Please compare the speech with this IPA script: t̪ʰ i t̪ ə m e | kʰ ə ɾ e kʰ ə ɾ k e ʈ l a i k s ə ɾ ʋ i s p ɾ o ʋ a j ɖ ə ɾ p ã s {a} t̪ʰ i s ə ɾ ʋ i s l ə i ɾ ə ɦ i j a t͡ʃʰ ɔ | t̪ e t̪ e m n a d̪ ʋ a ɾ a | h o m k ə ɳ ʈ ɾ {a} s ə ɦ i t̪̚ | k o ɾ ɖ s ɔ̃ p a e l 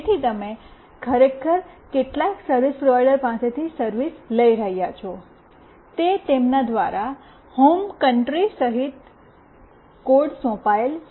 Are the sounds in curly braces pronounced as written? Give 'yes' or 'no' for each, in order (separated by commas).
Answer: no, no